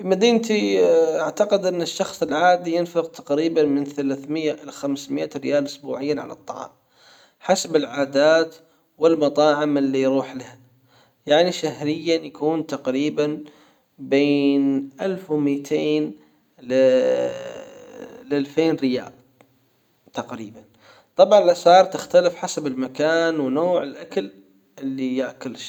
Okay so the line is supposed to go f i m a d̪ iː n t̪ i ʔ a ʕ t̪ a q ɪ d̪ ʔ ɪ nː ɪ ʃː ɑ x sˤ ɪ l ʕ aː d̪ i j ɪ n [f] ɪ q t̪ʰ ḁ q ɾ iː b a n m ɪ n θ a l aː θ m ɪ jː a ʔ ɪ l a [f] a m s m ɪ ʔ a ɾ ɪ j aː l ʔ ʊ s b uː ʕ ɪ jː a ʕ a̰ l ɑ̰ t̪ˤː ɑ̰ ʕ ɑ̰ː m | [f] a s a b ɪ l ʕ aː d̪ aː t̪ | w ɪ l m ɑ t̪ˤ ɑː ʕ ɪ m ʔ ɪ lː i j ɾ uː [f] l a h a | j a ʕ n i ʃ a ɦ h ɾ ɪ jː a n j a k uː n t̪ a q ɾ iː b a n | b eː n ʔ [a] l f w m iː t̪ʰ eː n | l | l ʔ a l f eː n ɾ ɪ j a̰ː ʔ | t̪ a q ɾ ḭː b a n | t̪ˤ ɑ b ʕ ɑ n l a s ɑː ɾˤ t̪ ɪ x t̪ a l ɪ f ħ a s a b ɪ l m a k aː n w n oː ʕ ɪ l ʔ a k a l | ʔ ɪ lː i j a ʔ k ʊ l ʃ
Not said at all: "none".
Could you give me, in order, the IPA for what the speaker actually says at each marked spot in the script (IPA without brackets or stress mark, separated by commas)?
f, x, ħ, ħ, a